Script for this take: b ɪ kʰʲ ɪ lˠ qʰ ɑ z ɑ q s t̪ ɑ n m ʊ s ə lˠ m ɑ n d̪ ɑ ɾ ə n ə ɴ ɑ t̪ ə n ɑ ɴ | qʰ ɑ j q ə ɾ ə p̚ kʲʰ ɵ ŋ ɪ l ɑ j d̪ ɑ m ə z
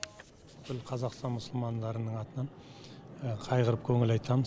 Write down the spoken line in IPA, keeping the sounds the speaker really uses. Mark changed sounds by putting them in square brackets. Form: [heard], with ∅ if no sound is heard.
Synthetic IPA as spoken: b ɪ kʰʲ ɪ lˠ qʰ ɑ z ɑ q s t̪ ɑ n m ʊ s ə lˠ m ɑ n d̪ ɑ ɾ ə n ə ɴ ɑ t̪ ə n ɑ ɴ | qʰ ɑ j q ə ɾ ə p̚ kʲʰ ɵ ŋ ɪ l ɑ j [t̪] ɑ m ə z